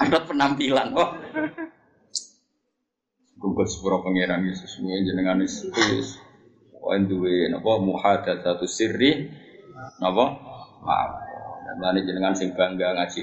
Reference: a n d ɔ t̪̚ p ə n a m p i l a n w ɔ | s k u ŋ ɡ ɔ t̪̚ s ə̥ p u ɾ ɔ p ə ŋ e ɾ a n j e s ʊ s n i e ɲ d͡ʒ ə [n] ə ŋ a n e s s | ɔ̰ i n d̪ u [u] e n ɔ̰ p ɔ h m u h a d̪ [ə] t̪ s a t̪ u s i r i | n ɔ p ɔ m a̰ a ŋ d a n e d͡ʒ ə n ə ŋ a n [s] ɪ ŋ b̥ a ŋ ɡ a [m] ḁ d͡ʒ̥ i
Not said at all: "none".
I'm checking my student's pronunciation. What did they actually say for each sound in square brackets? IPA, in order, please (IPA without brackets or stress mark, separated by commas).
n, w, a, s, ŋ